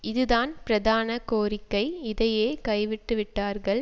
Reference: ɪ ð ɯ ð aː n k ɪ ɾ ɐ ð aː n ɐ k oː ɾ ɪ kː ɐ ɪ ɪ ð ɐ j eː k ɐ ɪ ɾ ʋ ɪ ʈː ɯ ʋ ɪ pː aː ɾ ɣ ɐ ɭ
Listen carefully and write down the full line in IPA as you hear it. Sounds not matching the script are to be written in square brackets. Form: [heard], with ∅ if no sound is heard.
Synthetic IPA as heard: ɪ ð ɯ ð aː n [p] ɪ ɾ ɐ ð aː n ɐ k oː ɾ ɪ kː ɐ ɪ ɪ ð ɐ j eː k ɐ ɪ [∅] ʋ ɪ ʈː ɯ ʋ ɪ [ʈː] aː ɾ ɣ ɐ ɭ